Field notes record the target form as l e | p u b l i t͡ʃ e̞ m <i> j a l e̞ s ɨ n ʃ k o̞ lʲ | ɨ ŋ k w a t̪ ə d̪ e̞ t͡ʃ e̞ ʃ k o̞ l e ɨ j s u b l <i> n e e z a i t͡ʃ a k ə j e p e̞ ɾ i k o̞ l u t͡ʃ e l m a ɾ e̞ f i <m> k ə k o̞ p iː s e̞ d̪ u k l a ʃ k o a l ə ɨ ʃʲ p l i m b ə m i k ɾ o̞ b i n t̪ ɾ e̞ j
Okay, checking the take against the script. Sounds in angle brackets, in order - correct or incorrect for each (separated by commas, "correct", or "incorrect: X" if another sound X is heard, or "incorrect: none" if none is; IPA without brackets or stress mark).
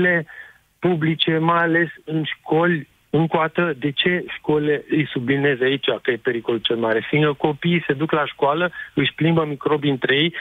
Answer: incorrect: a, correct, incorrect: ŋ